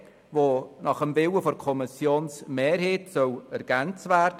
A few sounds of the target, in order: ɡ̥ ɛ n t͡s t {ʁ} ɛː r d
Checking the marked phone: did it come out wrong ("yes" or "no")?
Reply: yes